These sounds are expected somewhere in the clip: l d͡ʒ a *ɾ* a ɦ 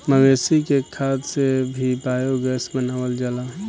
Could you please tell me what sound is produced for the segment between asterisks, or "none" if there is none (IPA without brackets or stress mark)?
l